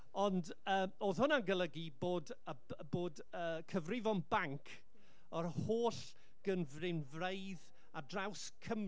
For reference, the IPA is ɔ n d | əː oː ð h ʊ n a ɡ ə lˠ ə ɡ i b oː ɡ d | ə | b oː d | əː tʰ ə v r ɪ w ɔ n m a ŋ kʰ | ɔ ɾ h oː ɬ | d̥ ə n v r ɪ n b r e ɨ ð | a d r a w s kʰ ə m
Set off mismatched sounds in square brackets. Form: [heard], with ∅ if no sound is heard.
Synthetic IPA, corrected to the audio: ɔ n d | əː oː ð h ʊ n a ɡ ə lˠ ə ɡ i b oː [∅] d | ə | b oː d | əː [kʰ] ə v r ɪ [v] ɔ n [b] a ŋ kʰ | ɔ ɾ h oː ɬ | [ɡ̥] ə n v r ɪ n [v] r e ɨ ð | a d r a w s kʰ ə m